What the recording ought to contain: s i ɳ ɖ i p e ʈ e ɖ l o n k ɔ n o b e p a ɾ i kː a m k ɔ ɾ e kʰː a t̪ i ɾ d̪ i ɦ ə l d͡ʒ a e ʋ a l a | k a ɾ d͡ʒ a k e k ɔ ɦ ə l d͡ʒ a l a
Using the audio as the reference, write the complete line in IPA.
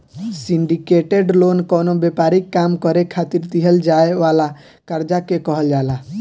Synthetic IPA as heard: s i ɳ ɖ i k e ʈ e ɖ l o n k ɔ n o b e p a ɾ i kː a m k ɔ ɾ e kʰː a t̪ i ɾ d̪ i ɦ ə l d͡ʒ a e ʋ a l a | k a ɾ d͡ʒ a k e k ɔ ɦ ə l d͡ʒ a l a